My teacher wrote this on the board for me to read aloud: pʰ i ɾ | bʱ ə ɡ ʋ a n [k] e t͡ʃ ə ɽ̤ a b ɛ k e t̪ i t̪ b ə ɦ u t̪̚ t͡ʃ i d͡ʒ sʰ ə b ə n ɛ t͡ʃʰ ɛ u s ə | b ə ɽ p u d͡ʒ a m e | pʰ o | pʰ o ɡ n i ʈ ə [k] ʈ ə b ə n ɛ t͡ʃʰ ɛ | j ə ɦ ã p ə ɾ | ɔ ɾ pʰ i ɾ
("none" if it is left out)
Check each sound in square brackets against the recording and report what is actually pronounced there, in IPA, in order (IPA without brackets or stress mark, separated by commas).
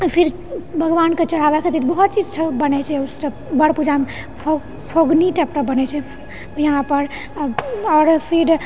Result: k, p